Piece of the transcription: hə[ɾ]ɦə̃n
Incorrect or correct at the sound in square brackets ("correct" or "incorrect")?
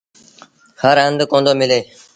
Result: correct